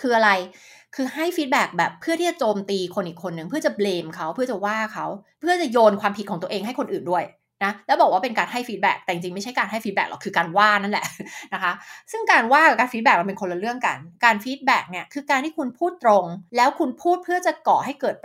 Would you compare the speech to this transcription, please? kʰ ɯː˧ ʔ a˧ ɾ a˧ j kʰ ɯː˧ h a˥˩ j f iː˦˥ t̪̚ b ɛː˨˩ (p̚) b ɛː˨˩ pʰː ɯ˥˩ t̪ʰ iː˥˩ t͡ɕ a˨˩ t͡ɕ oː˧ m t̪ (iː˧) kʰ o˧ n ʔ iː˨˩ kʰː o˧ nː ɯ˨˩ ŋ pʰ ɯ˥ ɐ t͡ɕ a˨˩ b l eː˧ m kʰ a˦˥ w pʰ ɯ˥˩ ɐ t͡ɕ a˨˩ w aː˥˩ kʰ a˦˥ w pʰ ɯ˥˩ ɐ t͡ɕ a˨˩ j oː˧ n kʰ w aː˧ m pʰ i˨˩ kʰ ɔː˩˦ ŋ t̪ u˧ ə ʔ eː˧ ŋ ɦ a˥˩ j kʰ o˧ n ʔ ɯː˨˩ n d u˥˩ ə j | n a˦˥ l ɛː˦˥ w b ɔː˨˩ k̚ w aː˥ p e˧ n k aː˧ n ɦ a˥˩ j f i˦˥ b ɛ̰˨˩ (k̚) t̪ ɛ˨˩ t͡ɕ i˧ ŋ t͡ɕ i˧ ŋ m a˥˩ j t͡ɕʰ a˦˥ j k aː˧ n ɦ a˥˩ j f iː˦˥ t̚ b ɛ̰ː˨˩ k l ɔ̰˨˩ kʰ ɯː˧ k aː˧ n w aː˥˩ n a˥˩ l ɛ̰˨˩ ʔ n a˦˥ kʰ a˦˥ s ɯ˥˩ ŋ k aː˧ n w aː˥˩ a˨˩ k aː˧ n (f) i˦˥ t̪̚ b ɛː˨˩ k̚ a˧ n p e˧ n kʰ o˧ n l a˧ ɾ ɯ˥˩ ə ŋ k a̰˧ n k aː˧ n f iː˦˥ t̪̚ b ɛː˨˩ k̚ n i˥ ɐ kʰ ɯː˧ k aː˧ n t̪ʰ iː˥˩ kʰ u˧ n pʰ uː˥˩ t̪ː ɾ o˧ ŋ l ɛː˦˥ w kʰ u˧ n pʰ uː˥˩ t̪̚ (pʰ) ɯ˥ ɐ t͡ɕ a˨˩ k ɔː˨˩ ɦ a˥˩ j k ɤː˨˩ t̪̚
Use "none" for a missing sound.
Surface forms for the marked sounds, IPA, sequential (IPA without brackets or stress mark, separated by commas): k̚, iː˧, k̚, f, pʰ